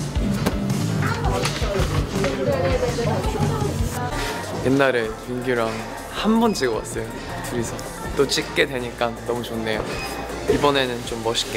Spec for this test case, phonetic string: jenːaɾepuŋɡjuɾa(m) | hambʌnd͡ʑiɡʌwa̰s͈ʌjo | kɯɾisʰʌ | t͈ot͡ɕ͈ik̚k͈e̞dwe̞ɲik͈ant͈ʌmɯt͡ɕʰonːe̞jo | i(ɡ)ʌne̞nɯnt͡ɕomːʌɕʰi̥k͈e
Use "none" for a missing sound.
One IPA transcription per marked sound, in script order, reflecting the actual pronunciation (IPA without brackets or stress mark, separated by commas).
ŋ, b